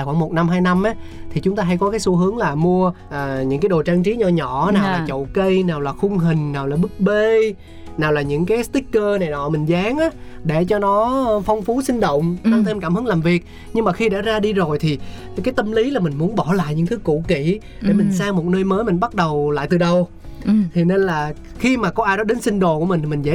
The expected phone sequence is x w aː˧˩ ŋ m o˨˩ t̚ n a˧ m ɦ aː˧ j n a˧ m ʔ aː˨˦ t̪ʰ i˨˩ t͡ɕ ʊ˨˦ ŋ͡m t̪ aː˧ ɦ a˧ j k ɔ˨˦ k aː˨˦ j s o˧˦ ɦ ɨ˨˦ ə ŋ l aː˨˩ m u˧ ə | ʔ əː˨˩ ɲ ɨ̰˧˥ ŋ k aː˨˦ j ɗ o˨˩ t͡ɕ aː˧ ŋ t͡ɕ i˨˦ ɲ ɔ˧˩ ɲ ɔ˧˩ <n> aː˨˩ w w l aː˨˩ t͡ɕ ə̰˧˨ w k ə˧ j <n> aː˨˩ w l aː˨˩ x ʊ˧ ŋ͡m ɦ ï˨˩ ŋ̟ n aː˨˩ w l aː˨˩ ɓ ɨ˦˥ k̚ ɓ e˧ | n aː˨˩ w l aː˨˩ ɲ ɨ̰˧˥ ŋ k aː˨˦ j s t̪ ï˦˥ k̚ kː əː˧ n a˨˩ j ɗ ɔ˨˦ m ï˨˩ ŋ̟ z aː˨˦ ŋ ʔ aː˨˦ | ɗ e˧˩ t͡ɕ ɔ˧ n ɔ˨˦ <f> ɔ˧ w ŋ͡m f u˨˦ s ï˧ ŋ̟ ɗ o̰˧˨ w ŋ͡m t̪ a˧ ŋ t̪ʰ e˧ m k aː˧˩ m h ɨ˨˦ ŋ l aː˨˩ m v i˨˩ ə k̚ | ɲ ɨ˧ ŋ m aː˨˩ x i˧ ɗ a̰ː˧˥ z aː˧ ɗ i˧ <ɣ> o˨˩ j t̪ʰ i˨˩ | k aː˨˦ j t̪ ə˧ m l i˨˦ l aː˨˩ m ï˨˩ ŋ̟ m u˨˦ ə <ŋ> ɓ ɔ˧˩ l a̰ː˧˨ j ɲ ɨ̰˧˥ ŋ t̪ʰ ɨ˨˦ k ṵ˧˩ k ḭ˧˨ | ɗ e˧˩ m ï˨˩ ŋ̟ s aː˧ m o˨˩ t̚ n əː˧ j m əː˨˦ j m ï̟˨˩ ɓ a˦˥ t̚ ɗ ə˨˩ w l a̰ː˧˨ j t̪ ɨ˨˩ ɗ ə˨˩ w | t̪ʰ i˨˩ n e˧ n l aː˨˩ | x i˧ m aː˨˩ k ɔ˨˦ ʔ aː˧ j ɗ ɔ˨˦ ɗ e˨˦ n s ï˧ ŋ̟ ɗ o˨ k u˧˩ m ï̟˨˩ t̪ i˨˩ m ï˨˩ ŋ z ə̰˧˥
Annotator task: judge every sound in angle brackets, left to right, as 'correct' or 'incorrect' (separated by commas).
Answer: correct, correct, correct, incorrect, incorrect